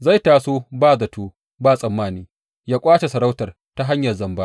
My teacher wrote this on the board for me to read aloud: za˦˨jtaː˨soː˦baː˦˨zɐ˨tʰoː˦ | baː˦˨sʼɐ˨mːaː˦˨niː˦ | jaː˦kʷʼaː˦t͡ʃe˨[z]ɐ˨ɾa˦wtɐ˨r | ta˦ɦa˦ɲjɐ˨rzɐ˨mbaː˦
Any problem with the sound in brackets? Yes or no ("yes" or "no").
yes